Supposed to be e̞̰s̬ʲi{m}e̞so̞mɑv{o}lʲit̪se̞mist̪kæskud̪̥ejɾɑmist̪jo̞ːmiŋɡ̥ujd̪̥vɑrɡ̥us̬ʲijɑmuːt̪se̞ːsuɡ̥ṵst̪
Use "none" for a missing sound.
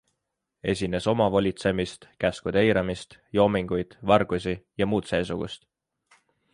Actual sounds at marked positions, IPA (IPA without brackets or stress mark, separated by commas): n, o